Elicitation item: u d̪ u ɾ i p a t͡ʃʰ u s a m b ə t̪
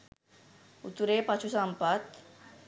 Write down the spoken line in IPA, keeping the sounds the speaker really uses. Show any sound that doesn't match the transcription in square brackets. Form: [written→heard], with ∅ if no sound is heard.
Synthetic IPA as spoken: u [d̪→t̪] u ɾ [i→e] p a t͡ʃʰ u s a m [b→p] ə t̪